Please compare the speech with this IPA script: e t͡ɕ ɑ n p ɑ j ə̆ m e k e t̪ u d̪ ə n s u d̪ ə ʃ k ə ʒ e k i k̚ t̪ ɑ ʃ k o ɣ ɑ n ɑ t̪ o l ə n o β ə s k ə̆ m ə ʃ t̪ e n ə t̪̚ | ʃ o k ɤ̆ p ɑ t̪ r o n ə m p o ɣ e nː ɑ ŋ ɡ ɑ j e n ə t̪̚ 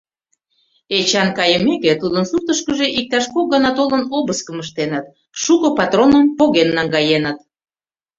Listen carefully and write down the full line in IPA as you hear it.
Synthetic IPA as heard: e t͡ɕ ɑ n k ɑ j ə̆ m e k e t̪ u d̪ ə n s u t̪ ə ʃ k ə ʒ e ʔ i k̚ t̪ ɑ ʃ k o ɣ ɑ n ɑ t̪ o l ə n o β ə s k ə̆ m ə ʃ t̪ e n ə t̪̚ | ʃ u k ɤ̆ p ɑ t̪ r o n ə m p o ɣ e nː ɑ ŋ ɡ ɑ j e n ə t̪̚